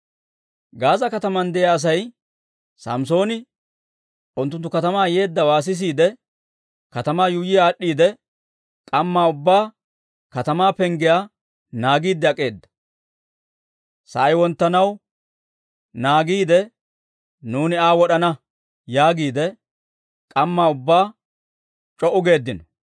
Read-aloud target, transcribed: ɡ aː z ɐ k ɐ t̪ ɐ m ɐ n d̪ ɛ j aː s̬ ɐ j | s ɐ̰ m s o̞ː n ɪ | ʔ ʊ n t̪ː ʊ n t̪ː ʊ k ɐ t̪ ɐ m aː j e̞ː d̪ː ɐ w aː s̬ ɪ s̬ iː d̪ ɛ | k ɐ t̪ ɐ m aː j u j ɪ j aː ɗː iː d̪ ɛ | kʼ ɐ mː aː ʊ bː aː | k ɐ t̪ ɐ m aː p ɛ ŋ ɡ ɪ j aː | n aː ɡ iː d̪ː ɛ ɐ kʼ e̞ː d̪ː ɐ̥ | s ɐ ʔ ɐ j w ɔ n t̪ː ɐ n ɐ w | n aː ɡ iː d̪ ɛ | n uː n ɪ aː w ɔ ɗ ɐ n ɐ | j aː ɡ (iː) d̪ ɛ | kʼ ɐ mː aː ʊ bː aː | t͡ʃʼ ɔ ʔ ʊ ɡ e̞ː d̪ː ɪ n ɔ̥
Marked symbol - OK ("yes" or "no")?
yes